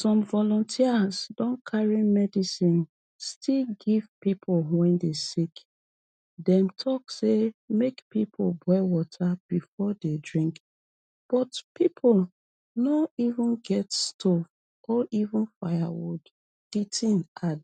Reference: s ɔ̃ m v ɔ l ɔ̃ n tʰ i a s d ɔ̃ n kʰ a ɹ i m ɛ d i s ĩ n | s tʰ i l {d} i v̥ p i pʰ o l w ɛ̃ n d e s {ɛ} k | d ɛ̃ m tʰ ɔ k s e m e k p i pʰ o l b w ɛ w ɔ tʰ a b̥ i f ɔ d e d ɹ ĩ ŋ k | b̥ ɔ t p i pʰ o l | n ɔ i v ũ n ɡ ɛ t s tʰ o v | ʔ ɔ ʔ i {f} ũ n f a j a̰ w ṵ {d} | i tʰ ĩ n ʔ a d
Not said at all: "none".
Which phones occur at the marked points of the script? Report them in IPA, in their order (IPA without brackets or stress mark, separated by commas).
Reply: ɡ, i, v, d